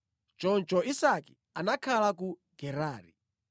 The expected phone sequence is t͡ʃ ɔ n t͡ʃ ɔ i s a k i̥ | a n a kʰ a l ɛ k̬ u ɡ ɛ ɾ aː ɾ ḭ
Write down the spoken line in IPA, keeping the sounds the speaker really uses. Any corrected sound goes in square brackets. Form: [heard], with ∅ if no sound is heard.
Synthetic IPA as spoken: t͡ʃ ɔ n t͡ʃ ɔ i s a k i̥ | a n a kʰ a l [a] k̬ u ɡ ɛ ɾ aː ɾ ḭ